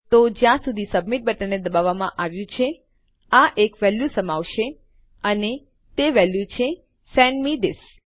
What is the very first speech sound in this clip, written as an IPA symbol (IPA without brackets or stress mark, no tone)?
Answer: t̪